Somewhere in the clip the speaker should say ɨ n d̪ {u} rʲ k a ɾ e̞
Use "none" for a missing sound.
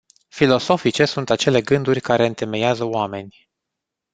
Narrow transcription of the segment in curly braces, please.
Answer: u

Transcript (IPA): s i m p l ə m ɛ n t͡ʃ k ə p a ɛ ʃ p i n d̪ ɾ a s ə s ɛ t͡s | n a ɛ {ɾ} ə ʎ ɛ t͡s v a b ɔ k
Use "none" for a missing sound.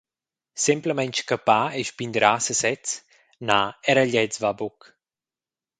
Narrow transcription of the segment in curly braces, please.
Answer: ɾ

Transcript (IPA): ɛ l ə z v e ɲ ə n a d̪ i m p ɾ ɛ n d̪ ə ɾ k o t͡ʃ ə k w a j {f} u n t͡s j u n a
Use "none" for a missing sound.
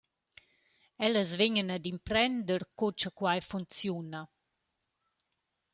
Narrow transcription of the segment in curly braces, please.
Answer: f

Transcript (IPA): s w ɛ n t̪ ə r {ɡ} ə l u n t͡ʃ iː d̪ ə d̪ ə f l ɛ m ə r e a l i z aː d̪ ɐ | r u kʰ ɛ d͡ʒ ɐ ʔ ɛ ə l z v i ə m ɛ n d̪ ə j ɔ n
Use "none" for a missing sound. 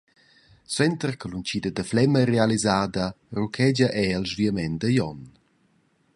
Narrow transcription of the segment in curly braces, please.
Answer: k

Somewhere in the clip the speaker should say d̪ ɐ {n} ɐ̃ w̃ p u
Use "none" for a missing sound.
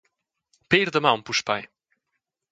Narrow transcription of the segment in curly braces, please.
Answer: m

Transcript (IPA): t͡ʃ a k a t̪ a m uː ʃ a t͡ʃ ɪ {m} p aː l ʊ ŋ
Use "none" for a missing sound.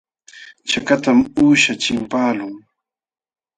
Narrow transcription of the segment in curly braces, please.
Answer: m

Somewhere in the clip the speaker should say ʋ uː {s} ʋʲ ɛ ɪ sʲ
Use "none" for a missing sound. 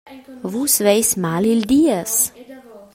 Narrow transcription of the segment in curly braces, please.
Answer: s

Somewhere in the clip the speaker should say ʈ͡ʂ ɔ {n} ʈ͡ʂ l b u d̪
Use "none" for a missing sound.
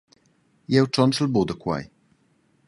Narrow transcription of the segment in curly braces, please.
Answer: n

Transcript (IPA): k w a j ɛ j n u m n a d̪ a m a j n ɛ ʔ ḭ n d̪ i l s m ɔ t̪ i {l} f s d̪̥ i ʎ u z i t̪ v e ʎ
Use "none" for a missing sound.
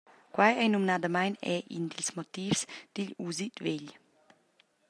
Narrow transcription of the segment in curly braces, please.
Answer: none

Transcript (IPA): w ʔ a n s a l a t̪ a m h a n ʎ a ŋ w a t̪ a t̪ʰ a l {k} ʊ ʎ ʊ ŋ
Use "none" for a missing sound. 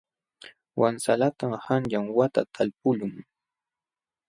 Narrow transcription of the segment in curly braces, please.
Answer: p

